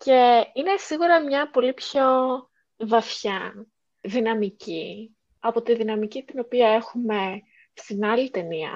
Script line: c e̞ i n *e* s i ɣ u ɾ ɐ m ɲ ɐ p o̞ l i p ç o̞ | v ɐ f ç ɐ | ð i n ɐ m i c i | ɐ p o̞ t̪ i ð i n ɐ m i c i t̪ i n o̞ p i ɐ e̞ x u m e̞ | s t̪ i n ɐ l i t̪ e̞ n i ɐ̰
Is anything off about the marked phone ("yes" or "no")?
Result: no